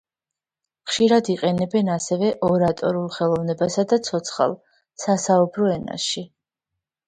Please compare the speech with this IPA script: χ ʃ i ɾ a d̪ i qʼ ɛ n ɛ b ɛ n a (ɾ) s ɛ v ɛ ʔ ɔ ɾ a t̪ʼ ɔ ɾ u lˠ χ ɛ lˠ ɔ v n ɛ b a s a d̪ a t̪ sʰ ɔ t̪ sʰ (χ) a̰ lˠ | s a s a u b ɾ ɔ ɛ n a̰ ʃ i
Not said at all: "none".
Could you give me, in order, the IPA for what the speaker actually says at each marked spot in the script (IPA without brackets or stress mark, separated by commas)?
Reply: none, χ